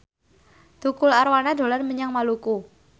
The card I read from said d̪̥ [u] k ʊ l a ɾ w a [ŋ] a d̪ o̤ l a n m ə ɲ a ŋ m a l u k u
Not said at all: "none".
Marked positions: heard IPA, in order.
u, n

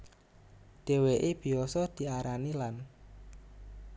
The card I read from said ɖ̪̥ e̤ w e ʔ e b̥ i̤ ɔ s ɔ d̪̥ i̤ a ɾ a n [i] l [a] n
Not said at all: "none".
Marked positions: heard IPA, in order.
i, a

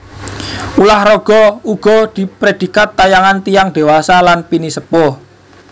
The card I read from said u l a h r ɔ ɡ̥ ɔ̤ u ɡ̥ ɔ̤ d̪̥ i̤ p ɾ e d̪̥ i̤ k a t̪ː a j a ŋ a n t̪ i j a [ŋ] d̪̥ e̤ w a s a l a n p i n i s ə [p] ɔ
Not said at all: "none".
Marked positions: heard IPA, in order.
ŋ, p

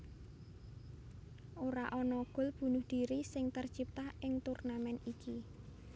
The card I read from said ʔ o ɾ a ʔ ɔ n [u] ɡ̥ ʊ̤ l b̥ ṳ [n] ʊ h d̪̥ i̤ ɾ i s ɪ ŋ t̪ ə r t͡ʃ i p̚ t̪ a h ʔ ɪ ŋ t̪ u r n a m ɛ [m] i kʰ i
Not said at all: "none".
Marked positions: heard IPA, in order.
ɔ, n, n

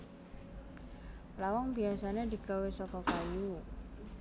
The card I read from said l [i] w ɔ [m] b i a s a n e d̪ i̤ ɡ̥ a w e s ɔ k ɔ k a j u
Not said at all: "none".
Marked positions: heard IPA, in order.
a, ŋ

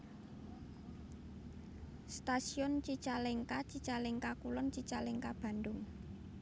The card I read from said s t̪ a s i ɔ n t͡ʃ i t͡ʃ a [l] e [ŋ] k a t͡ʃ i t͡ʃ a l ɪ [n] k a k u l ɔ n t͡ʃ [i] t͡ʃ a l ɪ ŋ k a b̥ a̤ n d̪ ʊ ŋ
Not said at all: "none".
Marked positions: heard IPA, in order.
l, ŋ, ŋ, i

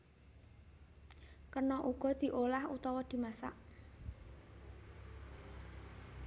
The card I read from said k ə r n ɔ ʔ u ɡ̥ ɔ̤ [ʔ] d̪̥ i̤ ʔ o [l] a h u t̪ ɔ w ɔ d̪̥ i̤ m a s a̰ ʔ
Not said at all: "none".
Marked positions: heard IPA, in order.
none, l

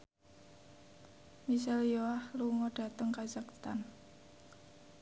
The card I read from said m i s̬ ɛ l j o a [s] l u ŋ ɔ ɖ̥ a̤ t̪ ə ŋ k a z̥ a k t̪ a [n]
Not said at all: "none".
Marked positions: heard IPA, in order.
h, n

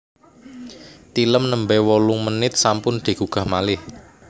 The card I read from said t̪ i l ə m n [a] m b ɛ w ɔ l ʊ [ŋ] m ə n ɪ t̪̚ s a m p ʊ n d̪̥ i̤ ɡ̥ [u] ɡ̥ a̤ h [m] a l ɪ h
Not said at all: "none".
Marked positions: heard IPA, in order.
ə, ŋ, u, m

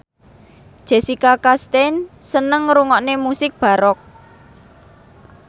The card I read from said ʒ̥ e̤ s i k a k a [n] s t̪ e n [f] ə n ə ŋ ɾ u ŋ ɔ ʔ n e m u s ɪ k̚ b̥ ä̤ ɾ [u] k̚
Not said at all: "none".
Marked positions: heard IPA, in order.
none, s, ɔ

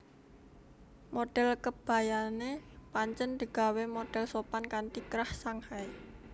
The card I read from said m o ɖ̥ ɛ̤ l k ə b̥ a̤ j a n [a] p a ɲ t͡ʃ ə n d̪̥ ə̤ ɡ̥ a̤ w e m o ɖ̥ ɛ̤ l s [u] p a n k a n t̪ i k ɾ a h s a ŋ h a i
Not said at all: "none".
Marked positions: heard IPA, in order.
e, o

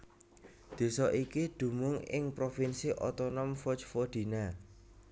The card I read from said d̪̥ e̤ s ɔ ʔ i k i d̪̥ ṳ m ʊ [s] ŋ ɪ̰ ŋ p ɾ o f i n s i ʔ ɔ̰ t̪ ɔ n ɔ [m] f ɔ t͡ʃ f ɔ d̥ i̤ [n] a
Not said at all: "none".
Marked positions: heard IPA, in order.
none, m, n

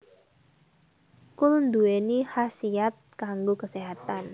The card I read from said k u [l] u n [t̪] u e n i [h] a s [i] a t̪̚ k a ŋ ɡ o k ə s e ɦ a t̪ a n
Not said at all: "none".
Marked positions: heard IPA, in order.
l, d̪, h, i

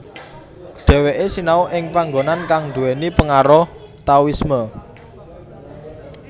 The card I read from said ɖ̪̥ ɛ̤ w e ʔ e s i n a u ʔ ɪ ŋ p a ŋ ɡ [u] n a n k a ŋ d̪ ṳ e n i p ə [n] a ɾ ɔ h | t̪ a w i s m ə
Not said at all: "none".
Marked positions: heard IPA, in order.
o, ŋ

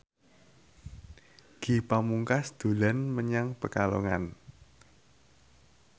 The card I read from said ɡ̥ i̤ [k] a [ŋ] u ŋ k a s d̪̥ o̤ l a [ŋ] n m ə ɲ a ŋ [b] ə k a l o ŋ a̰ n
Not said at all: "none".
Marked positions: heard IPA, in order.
p, m, none, p

